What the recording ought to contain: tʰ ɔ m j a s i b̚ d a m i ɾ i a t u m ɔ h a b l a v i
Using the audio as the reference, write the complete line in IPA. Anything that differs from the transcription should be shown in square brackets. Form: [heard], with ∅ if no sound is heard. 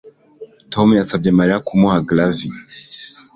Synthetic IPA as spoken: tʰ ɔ m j a s [a] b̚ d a m [a] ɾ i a [k] u m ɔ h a [ɡ] l a v i